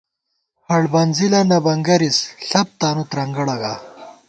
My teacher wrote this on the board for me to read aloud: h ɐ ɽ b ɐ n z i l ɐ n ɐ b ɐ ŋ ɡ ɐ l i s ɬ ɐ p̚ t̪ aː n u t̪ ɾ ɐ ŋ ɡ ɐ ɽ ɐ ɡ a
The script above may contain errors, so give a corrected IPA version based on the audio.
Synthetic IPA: h ɐ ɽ b ɐ n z i l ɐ n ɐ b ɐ ŋ ɡ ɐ ɾ i s ɬ ɐ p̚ t̪ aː n u t̪ ɾ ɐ ŋ ɡ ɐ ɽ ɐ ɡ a